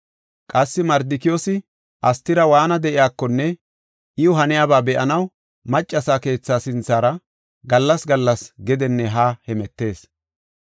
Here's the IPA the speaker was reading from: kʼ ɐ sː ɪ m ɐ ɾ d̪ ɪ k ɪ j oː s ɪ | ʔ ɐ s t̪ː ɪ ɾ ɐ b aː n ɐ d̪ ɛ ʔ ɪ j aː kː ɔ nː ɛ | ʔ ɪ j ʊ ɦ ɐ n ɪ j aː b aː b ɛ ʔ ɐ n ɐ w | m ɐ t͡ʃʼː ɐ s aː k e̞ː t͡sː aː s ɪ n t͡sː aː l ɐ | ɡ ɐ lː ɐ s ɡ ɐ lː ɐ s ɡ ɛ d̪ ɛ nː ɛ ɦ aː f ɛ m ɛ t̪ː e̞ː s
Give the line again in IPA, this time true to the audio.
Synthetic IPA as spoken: kʼ ɐ sː ɪ m ɐ ɾ d̪ ɪ k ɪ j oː s ɪ | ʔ ɐ s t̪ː ɪ ɾ ɐ w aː n ɐ d̪ ɛ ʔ ɪ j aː kː ɔ nː ɛ | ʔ ɪ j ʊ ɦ ɐ n ɪ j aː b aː b ɛ ʔ ɐ n ɐ w | m ɐ t͡ʃʼː ɐ s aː k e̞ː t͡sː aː s ɪ n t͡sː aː ɾ ɐ | ɡ ɐ lː ɐ s ɡ ɐ lː ɐ s ɡ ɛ d̪ ɛ nː ɛ ɦ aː h ɛ m ɛ t̪ː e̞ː s